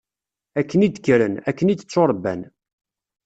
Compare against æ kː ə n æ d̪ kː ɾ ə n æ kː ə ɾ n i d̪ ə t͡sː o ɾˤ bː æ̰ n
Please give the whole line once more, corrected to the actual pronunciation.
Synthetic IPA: æ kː ə n i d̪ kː ɾ ə n æ kː ə n i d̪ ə t͡sː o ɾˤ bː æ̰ n